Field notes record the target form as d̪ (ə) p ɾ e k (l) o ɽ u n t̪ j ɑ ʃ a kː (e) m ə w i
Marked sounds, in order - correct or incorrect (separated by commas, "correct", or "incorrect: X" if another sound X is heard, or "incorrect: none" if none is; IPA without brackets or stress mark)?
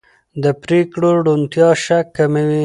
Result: correct, incorrect: ɽ, incorrect: a